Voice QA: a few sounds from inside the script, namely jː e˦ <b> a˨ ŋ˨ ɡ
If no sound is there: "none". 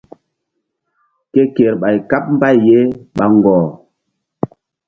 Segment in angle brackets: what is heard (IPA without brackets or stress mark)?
ɓ